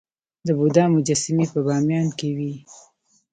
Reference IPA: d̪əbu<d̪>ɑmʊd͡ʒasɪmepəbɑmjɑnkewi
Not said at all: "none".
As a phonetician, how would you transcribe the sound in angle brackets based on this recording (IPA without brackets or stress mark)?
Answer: d̪